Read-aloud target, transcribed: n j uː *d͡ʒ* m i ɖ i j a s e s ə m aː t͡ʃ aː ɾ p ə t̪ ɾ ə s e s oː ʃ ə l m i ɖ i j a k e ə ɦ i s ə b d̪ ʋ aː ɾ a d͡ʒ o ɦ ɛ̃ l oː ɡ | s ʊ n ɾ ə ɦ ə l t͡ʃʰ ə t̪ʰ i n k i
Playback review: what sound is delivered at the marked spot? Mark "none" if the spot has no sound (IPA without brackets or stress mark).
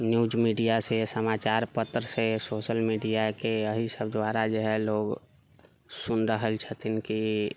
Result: d͡ʒ